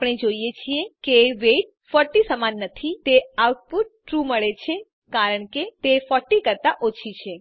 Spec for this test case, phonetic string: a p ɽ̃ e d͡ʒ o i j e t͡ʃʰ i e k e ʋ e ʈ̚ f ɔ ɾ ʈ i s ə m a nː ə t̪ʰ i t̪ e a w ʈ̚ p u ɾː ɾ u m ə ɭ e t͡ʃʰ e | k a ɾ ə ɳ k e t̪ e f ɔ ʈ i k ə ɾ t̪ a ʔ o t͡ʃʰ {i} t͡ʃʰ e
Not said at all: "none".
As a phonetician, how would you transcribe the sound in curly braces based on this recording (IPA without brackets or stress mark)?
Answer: i